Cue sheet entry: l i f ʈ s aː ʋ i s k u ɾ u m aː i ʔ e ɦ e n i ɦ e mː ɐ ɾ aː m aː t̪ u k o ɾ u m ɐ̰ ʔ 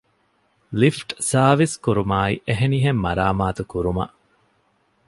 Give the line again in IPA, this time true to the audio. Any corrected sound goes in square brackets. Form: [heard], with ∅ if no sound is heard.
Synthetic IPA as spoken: l i f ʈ s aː ʋ i s k u ɾ u m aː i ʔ e ɦ e n i ɦ e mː ɐ ɾ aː m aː t̪ u k [u] ɾ u m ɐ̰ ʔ